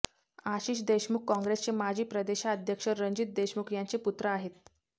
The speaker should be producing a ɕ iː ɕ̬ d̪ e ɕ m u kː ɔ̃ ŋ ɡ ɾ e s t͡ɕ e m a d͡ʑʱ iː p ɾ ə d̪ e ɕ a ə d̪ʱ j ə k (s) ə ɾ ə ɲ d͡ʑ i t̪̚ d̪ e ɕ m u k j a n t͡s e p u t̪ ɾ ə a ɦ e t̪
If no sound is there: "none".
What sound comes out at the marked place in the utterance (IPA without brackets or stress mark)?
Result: ʂ